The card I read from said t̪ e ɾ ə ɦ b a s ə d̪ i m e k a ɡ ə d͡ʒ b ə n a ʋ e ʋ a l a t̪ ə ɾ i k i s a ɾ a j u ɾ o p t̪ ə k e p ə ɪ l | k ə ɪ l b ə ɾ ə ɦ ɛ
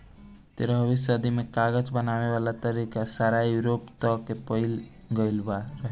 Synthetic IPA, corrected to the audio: t̪ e ɾ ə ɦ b i s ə d̪ i m e k a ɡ ə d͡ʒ b ə n a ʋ e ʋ a l a t̪ ə ɾ i k a s a ɾ a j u ɾ o p t̪ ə k e p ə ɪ l | ɡ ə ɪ l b a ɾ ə ɦ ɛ